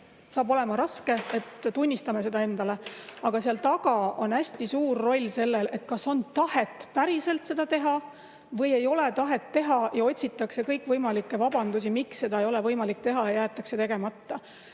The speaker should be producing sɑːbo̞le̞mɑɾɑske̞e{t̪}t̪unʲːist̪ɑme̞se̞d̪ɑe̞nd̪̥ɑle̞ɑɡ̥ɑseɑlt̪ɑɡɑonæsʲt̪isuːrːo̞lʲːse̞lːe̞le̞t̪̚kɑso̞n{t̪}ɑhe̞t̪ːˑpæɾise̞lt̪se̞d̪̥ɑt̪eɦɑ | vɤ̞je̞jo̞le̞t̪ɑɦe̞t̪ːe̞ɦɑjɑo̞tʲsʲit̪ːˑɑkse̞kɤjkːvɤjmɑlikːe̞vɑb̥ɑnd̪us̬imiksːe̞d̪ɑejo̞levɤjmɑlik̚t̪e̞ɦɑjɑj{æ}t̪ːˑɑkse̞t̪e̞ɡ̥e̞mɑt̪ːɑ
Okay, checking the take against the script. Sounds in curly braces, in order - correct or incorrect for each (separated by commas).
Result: correct, correct, incorrect